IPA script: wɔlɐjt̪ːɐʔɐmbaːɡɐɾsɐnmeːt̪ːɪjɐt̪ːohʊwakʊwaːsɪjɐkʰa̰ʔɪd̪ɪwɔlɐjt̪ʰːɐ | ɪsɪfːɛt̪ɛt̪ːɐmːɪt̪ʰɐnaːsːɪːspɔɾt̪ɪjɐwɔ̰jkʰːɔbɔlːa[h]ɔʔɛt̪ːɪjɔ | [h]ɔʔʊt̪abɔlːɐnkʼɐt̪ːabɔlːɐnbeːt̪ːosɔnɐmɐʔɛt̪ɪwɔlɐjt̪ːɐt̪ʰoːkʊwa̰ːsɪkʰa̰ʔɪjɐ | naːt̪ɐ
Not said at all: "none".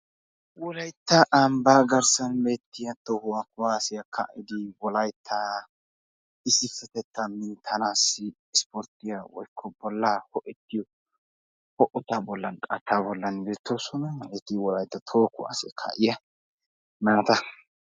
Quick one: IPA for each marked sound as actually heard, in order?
h, h

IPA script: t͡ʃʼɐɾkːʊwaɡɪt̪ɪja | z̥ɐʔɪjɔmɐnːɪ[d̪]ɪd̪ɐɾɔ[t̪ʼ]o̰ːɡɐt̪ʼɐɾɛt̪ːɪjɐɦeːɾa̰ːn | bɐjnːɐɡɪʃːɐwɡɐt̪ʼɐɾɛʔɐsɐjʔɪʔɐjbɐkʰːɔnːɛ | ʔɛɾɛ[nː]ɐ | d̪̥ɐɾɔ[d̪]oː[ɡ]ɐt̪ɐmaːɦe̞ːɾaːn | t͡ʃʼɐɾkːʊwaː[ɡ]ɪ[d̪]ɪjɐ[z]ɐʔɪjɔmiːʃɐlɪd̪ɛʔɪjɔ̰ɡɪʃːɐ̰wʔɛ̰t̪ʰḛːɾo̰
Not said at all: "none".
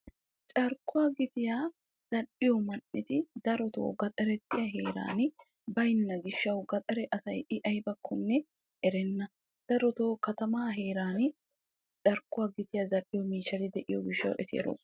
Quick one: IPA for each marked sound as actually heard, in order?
t̪, t̪, nː, t̪, k, ɡ, t̪, z

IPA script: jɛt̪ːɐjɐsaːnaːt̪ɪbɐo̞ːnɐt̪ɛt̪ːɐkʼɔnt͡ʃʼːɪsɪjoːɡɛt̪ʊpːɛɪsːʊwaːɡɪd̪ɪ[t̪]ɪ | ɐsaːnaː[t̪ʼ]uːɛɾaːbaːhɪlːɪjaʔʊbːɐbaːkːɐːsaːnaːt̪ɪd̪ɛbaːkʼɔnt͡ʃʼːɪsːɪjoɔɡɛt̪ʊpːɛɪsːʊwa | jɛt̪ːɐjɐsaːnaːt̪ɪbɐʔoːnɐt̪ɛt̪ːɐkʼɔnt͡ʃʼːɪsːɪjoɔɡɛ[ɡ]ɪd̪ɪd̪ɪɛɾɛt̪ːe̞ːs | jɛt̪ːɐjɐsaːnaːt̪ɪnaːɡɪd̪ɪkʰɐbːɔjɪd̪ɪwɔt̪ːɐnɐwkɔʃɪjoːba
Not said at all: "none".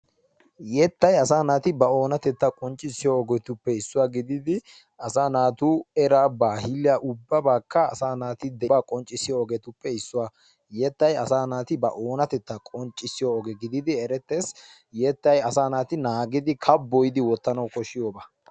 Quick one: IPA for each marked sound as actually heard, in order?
d̪, t̪, ɡ

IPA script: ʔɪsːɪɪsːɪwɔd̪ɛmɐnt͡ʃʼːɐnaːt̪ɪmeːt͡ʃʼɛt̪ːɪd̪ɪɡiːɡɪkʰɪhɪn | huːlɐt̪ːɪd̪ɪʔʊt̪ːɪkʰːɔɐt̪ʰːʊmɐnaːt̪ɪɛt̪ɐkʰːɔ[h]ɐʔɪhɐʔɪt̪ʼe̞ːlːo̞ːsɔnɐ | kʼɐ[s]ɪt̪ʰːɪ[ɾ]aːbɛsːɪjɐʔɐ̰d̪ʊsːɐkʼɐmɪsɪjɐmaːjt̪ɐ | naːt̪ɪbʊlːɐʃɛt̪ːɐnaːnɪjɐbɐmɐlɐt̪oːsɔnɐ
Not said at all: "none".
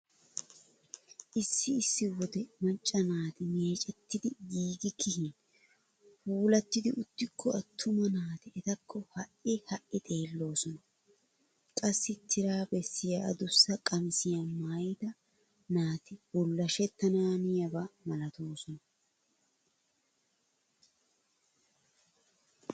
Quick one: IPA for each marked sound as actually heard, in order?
h, sː, ɾ

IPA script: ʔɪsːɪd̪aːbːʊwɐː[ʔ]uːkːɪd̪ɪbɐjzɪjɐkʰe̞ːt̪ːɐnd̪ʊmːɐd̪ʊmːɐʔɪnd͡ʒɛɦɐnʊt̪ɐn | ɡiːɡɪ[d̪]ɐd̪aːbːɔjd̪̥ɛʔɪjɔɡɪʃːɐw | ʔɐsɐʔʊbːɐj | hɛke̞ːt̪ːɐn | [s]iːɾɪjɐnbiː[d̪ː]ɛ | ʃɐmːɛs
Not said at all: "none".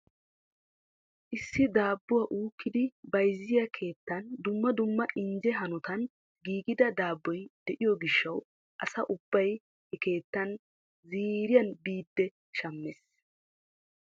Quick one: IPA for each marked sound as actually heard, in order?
ʔ, d̪, z, d̪ː

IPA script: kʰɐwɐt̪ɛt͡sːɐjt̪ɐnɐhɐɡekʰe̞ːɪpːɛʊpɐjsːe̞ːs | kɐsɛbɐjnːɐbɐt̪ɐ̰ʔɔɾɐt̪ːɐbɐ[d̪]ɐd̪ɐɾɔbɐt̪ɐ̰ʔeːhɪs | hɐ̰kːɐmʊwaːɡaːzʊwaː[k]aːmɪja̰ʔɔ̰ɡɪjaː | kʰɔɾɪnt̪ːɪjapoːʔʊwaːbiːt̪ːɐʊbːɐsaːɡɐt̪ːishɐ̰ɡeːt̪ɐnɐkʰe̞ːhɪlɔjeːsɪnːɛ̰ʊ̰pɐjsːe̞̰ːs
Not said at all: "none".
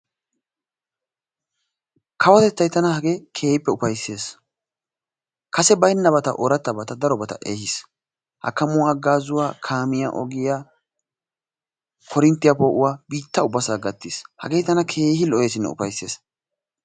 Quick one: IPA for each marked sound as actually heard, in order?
t̪, kʰ

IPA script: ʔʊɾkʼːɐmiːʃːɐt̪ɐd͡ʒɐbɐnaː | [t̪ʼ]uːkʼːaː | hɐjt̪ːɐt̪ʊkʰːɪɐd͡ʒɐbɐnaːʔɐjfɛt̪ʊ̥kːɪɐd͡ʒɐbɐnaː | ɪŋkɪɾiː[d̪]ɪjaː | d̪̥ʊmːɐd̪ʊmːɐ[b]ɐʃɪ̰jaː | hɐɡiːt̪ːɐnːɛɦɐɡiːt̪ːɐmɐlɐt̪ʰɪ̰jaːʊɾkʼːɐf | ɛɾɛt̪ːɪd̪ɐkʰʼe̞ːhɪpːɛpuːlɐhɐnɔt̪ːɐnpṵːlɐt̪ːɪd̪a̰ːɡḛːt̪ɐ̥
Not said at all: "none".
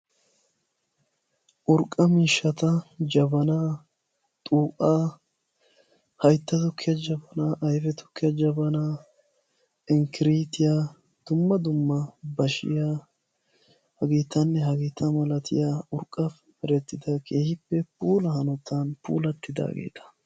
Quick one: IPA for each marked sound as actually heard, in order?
t̪ʼ, t̪, b

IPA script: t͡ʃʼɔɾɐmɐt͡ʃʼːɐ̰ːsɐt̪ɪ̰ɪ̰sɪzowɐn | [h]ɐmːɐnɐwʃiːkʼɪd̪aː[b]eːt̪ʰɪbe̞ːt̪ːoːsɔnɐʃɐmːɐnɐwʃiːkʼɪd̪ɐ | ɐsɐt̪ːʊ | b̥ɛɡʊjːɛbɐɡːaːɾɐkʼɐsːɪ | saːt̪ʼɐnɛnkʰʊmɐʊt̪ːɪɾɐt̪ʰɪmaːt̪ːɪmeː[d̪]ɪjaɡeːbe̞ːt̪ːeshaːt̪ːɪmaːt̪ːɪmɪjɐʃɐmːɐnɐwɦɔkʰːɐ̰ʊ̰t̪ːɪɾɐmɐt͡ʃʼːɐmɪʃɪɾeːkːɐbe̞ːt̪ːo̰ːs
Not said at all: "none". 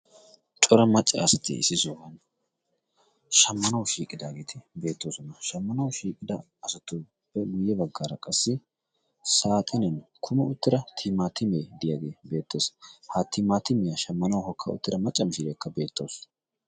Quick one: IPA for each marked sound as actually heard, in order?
ʃ, ɡ, d̪

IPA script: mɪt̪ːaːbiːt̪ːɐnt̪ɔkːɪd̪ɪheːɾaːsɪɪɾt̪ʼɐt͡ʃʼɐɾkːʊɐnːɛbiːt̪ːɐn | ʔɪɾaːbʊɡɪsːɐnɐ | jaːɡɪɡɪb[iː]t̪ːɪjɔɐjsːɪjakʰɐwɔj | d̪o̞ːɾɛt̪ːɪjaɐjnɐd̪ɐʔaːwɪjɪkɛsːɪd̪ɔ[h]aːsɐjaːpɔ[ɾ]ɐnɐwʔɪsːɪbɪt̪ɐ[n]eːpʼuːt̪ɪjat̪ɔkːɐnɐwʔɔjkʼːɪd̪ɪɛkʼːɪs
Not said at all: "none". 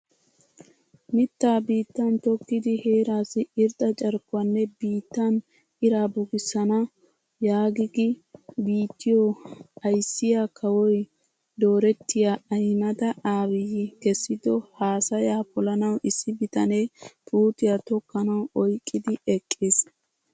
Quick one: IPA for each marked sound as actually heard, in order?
iː, h, l, n

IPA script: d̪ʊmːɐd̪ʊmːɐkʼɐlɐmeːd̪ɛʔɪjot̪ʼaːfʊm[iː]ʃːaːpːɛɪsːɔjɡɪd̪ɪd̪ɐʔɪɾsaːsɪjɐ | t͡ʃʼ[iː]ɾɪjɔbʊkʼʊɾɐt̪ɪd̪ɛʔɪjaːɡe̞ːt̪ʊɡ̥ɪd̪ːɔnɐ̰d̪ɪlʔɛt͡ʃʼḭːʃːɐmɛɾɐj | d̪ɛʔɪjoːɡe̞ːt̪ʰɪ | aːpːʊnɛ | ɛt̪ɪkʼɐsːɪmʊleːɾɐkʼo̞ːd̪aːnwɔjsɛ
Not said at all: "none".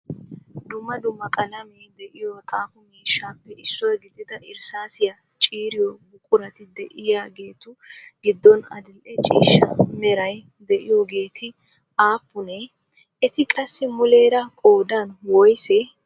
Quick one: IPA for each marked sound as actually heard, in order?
iː, iː

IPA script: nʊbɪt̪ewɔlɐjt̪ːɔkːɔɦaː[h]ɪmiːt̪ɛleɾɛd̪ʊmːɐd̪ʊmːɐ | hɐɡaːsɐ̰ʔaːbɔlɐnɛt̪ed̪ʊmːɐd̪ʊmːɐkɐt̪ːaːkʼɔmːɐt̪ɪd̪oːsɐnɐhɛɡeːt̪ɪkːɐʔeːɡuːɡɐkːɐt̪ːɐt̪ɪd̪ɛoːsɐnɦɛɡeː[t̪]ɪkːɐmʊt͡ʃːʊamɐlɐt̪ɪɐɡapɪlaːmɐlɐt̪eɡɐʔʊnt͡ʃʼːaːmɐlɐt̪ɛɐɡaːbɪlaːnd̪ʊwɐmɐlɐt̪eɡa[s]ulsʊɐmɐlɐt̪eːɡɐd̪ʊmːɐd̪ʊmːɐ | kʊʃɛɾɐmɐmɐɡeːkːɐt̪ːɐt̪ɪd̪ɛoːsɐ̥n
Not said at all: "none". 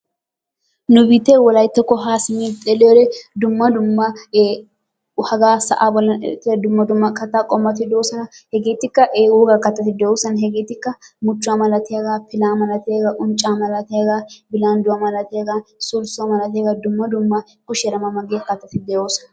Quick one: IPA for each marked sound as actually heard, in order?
s, t̪, s

